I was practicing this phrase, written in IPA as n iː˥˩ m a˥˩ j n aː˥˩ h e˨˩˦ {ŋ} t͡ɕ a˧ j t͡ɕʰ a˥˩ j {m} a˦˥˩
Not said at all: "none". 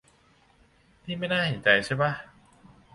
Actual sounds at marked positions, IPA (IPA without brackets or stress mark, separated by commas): n, b